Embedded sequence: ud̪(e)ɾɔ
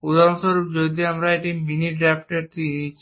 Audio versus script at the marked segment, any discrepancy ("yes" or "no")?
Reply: yes